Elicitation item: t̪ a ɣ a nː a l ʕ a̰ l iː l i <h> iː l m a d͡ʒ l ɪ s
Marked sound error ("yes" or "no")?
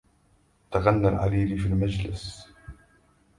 yes